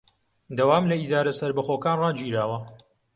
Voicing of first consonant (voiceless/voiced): voiced